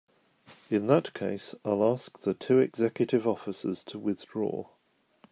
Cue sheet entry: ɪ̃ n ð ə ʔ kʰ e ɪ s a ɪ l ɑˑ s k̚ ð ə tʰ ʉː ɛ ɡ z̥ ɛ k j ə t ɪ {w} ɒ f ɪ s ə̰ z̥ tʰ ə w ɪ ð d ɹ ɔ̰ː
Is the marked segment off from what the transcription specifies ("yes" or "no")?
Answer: yes